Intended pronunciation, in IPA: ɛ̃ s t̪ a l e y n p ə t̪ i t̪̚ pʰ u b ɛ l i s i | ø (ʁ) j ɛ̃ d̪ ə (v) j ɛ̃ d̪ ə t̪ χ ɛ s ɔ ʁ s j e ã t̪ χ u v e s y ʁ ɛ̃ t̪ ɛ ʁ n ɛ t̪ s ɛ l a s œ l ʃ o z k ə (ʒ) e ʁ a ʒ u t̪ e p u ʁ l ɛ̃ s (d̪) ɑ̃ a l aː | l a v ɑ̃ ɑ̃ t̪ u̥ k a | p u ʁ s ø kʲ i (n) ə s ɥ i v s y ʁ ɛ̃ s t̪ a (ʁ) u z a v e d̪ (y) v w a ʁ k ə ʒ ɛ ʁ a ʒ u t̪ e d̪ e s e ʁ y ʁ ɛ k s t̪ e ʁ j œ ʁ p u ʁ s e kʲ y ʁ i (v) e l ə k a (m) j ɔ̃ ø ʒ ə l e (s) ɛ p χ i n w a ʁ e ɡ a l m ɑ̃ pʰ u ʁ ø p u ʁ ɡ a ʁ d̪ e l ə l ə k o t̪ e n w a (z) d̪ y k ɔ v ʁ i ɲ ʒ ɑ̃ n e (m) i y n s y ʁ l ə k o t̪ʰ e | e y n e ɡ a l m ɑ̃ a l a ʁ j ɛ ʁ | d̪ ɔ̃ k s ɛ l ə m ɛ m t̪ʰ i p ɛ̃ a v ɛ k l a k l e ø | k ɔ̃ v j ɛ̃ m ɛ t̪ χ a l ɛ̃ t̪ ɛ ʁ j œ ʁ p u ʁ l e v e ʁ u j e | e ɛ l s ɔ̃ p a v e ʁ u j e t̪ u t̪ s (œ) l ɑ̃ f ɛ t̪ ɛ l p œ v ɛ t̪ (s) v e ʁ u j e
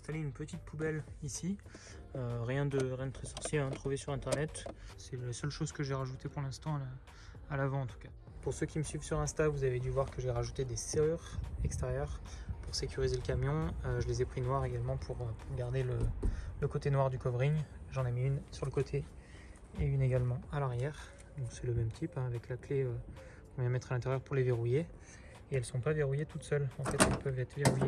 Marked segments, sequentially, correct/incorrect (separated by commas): correct, incorrect, correct, incorrect, incorrect, incorrect, correct, incorrect, correct, incorrect, incorrect, correct, correct, incorrect